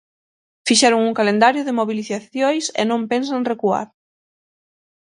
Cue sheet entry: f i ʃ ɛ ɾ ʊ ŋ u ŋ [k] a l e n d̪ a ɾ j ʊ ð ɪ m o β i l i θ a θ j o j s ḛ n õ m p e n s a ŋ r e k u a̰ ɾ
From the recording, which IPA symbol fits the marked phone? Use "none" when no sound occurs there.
k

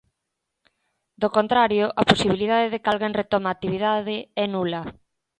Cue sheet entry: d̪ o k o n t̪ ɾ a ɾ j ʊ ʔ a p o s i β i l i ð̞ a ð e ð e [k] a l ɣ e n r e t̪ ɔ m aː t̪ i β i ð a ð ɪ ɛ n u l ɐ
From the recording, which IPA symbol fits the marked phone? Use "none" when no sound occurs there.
k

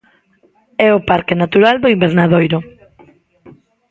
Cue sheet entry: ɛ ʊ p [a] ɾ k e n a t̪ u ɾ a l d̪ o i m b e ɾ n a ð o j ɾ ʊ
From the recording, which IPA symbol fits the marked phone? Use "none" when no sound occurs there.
a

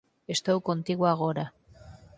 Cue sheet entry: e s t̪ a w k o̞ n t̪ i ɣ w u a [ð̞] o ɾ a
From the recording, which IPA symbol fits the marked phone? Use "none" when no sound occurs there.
ɣ̞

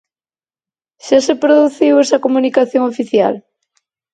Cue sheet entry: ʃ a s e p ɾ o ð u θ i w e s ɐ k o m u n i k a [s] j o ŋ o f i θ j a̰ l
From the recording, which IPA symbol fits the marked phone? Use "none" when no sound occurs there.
θ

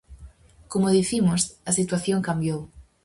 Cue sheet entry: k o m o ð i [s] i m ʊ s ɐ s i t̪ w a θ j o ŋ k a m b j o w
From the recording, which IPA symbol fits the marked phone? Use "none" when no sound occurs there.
θ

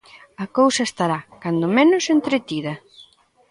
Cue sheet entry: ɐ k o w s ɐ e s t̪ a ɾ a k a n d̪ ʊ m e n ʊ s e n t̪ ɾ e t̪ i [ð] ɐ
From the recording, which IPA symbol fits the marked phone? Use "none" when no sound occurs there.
ð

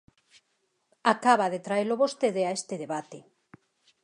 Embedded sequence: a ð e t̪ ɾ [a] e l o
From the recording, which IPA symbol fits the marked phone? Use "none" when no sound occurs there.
a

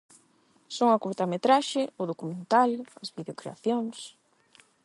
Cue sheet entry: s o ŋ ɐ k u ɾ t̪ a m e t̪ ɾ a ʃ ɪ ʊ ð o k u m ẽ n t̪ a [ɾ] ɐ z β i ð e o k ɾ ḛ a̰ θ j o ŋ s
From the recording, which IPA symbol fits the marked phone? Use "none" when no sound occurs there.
l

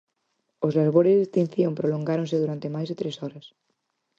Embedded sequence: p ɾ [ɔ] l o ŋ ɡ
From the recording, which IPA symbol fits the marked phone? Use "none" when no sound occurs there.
o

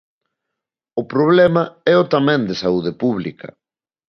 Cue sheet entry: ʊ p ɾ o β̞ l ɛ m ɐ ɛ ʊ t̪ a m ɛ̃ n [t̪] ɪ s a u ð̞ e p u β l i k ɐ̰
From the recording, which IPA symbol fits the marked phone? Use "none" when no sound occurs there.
d̪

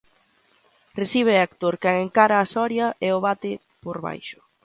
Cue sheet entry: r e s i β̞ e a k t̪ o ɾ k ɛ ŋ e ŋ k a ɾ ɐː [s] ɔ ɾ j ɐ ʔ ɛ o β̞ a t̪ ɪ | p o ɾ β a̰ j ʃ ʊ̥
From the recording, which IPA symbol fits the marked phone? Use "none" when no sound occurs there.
s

